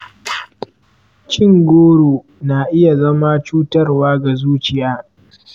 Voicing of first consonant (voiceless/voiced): voiceless